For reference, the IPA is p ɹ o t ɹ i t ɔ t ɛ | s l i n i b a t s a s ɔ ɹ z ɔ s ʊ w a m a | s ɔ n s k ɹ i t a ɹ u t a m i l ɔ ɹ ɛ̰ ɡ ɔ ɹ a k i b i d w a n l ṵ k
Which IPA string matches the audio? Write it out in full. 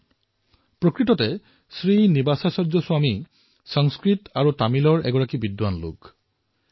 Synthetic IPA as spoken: p ɹ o k ɹ i t ɔ t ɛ | s ɹ i n i b a s a s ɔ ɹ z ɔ s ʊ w a m i | s ɔ ŋ s k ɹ i t a ɹ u t a m i l ɔ ɹ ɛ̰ ɡ ɔ ɹ a k i b i d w a n l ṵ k